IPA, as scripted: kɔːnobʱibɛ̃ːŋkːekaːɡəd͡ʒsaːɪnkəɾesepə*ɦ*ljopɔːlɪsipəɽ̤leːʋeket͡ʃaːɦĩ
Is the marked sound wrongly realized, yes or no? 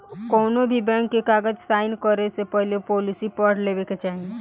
no